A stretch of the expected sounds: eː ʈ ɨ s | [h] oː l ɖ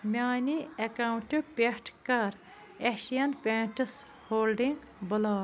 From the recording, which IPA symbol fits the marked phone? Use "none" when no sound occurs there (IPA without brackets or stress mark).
h